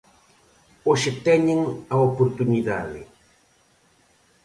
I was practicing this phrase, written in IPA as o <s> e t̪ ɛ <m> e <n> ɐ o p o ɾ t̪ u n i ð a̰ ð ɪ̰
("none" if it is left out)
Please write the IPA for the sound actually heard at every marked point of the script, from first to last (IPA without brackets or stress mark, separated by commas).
ʃ, ɲ, ŋ